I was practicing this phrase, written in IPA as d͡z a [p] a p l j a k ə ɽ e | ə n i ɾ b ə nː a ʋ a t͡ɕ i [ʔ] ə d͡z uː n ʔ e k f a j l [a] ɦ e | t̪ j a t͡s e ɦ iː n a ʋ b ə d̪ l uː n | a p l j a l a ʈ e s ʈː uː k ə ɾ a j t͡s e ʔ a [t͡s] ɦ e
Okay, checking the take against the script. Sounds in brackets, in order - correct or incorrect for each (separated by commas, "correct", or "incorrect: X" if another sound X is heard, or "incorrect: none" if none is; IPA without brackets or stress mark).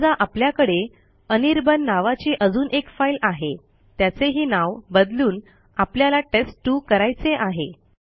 incorrect: ʔ, correct, correct, incorrect: none